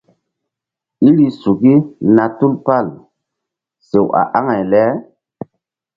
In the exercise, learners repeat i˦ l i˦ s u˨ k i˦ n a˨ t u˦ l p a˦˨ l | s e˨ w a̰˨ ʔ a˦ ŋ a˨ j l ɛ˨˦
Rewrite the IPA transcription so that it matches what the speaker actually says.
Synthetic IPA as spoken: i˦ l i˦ s u˨ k i˦ n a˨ t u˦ l p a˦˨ l | s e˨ w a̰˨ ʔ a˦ ŋ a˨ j l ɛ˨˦